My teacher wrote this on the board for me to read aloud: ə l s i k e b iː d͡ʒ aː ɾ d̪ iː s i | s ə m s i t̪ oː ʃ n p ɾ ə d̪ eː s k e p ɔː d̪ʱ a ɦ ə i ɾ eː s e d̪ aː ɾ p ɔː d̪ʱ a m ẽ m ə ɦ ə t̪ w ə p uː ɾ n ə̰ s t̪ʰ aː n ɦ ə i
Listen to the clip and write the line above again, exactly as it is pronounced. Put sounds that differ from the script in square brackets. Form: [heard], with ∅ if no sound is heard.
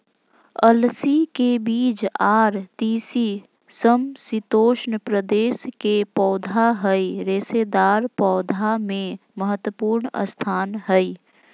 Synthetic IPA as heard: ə l s i k e b iː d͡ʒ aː ɾ [t̪] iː s i | s ə m s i t̪ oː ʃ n p ɾ ə d̪ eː s k e p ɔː d̪ʱ a ɦ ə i ɾ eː s e d̪ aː ɾ p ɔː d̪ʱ a m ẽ m ə ɦ ə t̪ w ə p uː ɾ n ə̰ s t̪ʰ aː n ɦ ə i